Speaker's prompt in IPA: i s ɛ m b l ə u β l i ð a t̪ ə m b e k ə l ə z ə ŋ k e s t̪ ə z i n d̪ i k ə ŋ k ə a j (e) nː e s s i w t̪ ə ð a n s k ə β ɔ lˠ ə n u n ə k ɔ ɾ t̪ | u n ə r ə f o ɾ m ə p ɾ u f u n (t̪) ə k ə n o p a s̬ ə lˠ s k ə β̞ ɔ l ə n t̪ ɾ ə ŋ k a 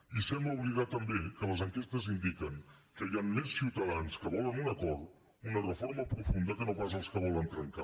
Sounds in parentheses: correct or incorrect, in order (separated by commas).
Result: incorrect, incorrect